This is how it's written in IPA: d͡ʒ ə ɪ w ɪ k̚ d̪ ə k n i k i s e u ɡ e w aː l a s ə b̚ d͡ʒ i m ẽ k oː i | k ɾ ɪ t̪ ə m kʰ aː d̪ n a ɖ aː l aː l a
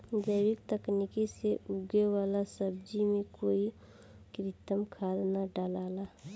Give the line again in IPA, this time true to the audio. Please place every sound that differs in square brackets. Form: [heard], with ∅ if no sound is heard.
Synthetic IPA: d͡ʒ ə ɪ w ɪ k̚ [t̪] ə k n i k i s e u ɡ e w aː l a s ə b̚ d͡ʒ i m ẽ k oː i | k ɾ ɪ t̪ ə m kʰ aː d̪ n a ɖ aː l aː l a

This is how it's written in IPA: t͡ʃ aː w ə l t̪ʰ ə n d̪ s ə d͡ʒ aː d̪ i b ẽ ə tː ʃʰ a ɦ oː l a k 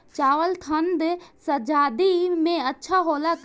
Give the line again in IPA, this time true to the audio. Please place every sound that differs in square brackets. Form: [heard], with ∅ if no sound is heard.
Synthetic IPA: t͡ʃ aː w ə l t̪ʰ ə n d̪ s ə d͡ʒ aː d̪ i [m] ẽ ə tː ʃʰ a ɦ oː l a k

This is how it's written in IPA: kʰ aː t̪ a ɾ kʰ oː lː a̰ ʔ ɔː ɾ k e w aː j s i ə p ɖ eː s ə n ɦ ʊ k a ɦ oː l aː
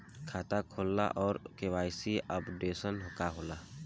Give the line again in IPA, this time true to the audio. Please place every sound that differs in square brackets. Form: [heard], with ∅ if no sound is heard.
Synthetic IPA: kʰ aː t̪ a [∅] kʰ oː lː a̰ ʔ ɔː ɾ k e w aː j s i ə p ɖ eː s ə n ɦ ʊ k a ɦ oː l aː

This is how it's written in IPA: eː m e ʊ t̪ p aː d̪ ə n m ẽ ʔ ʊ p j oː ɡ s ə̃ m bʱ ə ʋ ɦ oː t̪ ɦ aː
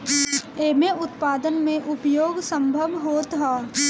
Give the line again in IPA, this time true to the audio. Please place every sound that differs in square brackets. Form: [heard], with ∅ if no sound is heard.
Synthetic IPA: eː m e ʊ t̪ p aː d̪ ə n m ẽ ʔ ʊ p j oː ɡ s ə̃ m bʱ ə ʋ ɦ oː t̪ ɦ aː

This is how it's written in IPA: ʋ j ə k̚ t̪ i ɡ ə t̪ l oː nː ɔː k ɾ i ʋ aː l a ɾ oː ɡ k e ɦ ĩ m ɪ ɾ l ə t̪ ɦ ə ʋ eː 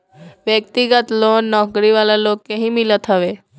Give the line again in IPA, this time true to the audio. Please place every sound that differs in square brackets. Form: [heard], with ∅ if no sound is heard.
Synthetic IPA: ʋ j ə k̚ t̪ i ɡ ə t̪ l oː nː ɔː k ɾ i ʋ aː l a [l] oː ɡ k e ɦ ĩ m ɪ [∅] l ə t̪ ɦ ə ʋ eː

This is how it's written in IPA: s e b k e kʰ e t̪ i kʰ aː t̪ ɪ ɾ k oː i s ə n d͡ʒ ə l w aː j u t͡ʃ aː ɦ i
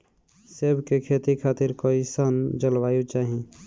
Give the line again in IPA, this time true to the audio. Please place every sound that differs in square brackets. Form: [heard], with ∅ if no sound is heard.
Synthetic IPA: s e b k e kʰ e t̪ i kʰ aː t̪ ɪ ɾ k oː i s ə n d͡ʒ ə l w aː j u t͡ʃ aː ɦ i

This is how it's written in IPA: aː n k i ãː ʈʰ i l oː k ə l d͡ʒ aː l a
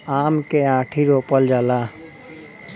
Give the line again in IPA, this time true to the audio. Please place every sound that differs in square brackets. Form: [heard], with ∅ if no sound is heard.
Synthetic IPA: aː [m] k [e] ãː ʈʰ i [ɾ] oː [p] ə l d͡ʒ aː l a

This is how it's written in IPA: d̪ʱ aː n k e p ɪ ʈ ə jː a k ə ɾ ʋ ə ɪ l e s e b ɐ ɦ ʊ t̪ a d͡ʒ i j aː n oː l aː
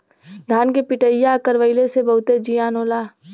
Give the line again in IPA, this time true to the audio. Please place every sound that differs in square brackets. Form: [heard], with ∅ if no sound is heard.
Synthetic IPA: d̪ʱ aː n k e p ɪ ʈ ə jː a k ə ɾ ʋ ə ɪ l e s e b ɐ ɦ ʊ t̪ [e] d͡ʒ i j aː n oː l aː

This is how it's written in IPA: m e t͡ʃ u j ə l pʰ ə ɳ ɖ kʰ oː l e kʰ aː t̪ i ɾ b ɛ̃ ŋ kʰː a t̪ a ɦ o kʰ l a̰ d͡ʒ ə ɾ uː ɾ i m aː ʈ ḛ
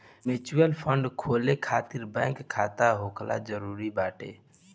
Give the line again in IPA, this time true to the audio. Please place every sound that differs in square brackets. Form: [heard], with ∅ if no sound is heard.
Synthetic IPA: m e t͡ʃ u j ə l pʰ ə ɳ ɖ kʰ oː l e kʰ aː t̪ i ɾ b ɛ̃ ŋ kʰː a t̪ a ɦ o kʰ l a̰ d͡ʒ ə ɾ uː ɾ i [b] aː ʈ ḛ

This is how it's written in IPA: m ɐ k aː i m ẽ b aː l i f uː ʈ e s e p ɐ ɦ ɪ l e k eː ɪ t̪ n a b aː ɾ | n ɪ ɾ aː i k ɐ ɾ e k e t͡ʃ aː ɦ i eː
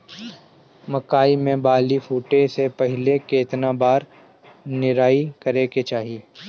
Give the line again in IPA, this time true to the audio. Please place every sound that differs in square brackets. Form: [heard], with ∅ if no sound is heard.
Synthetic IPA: m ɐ k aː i m ẽ b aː l i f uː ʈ e s e p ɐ ɦ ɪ l e k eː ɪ t̪ n a b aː ɾ | n ɪ ɾ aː i k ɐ ɾ e k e t͡ʃ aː ɦ i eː

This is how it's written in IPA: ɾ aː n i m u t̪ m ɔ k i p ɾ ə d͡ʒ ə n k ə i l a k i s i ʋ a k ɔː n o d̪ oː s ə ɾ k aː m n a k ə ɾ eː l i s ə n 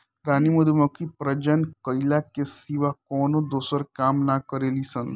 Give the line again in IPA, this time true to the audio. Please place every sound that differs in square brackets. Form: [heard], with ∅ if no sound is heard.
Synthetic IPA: ɾ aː n i m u [d̪] m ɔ k i p ɾ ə d͡ʒ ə n k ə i l a k [e] s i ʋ a k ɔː n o d̪ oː s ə ɾ k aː m n a k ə ɾ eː l i s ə n

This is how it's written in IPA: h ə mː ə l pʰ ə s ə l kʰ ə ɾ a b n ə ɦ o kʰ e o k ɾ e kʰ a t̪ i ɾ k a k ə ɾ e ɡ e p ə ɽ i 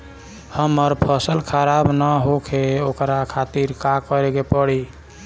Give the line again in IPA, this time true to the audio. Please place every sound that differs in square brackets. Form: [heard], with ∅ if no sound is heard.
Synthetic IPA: h ə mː ə [ɾ] pʰ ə s ə l kʰ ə ɾ a b n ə ɦ o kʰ e o k ɾ [a] kʰ a t̪ i ɾ k a k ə ɾ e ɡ e p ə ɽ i

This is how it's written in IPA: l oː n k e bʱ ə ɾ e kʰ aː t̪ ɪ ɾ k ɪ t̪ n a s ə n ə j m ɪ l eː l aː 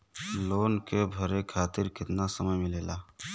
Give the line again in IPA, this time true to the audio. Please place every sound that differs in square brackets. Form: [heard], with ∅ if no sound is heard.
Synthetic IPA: l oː n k e bʱ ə ɾ e kʰ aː t̪ ɪ ɾ k ɪ t̪ n a s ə [m] ə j m ɪ l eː l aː

